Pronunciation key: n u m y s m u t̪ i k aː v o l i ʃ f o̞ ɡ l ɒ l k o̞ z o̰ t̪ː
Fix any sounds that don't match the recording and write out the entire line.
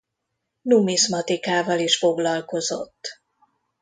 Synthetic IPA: n u m i s m ɒ t̪ i k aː v ɒ l i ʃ f o̞ ɡ l ɒ l k o̞ z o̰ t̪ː